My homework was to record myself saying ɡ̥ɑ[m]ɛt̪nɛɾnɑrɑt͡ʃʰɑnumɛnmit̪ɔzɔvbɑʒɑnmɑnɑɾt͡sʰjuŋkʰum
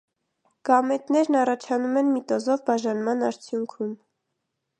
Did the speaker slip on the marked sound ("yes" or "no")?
no